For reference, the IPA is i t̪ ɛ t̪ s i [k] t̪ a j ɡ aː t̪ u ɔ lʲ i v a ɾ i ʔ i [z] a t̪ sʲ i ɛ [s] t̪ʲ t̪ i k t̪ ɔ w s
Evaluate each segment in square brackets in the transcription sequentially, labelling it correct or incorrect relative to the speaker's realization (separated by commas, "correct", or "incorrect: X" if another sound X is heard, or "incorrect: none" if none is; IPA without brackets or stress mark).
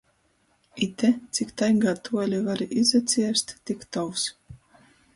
correct, correct, correct